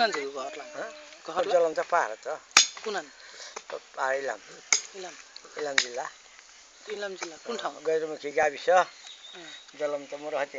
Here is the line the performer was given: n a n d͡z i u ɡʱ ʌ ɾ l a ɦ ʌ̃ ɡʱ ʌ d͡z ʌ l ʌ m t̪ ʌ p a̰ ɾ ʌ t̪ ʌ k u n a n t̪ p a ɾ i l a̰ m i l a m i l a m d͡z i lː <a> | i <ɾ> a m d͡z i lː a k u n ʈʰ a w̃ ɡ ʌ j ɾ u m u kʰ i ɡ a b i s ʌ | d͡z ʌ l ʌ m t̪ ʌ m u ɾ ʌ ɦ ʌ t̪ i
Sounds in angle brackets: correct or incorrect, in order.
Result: correct, incorrect: l

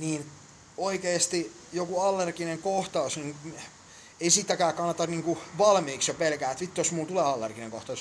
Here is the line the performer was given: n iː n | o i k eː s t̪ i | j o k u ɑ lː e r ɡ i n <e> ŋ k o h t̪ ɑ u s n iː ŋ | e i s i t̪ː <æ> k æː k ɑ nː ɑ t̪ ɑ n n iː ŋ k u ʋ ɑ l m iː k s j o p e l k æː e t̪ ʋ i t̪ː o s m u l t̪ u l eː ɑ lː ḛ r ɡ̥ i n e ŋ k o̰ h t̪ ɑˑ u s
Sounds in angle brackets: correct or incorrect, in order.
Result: correct, correct

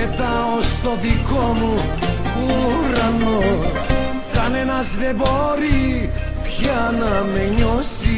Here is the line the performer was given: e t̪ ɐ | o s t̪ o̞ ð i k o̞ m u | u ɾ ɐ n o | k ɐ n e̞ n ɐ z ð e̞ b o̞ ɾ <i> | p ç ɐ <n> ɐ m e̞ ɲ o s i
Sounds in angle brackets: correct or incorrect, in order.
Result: correct, correct

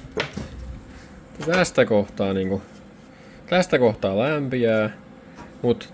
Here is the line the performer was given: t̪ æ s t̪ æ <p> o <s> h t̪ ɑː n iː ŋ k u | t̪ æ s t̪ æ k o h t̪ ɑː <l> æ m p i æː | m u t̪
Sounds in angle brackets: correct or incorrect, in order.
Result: incorrect: k, incorrect: none, correct

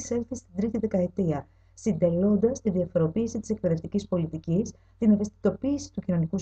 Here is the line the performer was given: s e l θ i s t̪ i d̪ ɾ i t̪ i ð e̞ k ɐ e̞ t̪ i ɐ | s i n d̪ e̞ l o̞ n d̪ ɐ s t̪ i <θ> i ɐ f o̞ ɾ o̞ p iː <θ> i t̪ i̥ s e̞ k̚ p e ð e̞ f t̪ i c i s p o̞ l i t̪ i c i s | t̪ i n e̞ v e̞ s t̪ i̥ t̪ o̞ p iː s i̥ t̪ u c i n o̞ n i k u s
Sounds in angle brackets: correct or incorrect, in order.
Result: incorrect: ð, incorrect: s

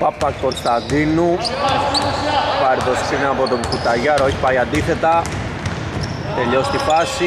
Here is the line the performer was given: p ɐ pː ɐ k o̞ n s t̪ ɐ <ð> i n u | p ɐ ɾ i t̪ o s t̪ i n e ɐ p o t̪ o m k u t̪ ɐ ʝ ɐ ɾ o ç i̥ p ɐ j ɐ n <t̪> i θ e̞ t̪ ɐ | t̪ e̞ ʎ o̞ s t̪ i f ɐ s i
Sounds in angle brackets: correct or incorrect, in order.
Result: correct, incorrect: d̪

